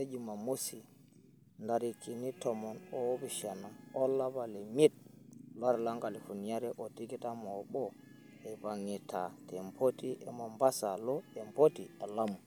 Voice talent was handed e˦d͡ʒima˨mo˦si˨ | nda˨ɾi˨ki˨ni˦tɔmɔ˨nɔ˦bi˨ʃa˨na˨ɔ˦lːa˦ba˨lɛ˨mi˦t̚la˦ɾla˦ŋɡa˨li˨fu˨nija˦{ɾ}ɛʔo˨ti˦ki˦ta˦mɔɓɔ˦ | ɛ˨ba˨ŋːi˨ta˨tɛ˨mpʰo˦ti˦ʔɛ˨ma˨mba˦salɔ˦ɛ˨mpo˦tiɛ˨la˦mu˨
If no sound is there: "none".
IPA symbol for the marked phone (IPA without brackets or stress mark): ɾ